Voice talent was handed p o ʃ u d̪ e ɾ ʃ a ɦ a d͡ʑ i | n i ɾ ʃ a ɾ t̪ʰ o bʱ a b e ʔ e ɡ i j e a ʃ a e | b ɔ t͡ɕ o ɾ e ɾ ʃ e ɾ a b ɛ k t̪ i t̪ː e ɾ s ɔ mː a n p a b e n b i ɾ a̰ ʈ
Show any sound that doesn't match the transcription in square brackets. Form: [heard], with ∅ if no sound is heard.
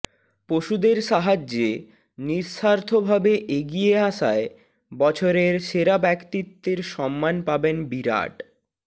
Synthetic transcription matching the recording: p o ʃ u d̪ e ɾ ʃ a ɦ a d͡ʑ [e] | n i ɾ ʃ a ɾ t̪ʰ o bʱ a b e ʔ e ɡ i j e a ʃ a e | b ɔ [t͡ɕʰ] o ɾ e ɾ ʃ e ɾ a b ɛ k t̪ i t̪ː e ɾ [ʃ] ɔ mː a n p a b e n b i ɾ a̰ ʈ